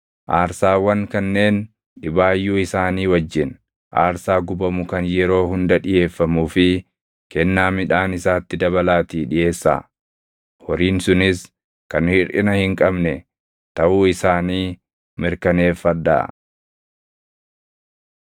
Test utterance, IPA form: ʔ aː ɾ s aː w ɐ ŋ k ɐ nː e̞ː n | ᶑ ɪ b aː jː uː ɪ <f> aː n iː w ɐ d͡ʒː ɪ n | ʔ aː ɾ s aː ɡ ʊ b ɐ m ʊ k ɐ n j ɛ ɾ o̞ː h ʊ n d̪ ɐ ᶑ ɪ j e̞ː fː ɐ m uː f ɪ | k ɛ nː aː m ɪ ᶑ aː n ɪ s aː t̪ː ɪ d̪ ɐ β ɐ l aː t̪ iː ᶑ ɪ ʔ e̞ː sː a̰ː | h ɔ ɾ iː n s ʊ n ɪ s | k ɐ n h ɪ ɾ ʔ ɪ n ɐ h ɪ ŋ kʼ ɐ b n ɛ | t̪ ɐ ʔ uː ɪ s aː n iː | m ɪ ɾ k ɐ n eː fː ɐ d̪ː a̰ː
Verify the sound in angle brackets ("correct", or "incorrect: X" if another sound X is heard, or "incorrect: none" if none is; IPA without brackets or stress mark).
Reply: incorrect: s